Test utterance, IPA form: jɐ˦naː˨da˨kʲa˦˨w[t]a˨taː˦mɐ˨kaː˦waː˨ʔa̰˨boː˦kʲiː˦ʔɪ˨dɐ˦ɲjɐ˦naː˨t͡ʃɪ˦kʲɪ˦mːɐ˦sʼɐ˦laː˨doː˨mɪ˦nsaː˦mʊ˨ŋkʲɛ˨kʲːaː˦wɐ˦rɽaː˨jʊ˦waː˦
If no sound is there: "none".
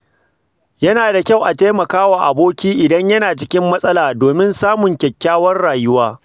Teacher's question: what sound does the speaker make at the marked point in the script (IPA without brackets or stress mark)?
ʔ